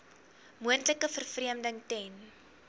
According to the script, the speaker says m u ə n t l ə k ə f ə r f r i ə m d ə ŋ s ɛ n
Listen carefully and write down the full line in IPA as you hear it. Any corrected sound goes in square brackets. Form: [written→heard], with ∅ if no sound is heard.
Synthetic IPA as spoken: m u ə n t l ə k ə f ə r f r i ə m d ə ŋ [s→t] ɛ n